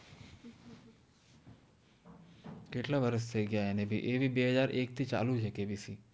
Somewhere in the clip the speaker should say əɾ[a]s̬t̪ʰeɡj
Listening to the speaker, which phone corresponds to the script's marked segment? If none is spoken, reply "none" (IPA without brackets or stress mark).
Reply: ə